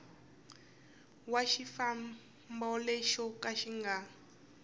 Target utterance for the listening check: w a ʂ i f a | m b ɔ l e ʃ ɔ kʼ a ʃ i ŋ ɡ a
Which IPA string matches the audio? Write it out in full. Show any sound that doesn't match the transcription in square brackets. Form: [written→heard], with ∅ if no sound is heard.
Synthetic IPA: w a [ʂ→ʃ] i f a | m b ɔ l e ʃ ɔ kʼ a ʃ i ŋ ɡ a